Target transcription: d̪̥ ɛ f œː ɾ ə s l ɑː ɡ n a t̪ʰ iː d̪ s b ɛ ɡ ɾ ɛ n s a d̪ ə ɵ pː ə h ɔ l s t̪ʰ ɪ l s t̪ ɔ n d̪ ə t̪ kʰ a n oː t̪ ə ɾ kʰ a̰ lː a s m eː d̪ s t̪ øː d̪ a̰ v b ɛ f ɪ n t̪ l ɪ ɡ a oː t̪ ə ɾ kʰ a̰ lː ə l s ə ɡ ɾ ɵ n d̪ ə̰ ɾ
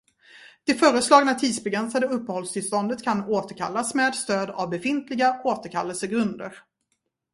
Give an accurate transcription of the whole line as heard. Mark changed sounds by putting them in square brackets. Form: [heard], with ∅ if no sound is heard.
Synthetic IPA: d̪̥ ɛ f œː ɾ ə s l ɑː ɡ n a t̪ʰ iː d̪ s b ɛ ɡ ɾ ɛ n s a d̪ ə ɵ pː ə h ɔ l s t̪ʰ ɪ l s t̪ ɔ n d̪ ə t̪ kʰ a n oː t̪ ə ɾ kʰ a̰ lː a s m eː d̪ s t̪ øː d̪ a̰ v b ɛ f ɪ n t̪ l ɪ ɡ a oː t̪ ə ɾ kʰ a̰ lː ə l s ə ɡ ɾ ɵ n d̪ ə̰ ɾ

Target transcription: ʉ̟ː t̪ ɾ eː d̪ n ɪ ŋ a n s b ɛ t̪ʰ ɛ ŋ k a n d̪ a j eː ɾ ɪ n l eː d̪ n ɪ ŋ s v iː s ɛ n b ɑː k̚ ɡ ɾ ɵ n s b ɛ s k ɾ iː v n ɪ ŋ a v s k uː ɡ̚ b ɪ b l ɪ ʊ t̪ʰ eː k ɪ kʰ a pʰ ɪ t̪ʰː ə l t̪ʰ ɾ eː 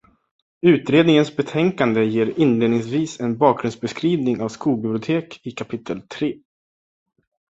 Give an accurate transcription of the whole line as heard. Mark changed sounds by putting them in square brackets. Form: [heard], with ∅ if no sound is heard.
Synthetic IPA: ʉ̟ː t̪ ɾ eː d̪ n ɪ ŋ [ə] n s b ɛ t̪ʰ ɛ ŋ k a n d̪ [ə] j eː ɾ ɪ n l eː d̪ n ɪ ŋ s v iː s ɛ n b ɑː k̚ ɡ ɾ ɵ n s b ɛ s k ɾ iː v n ɪ ŋ a v s k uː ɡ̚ b ɪ b l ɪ ʊ t̪ʰ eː k ɪ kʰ a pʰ ɪ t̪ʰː ə l t̪ʰ ɾ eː

